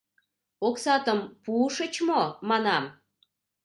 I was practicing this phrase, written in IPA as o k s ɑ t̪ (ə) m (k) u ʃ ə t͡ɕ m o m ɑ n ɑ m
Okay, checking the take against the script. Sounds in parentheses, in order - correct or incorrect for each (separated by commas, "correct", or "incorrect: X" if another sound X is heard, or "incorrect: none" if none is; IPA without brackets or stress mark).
correct, incorrect: p